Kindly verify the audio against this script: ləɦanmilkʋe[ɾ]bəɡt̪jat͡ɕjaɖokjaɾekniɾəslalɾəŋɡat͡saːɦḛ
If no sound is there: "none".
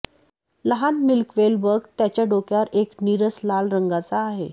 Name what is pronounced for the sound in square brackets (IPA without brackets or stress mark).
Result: l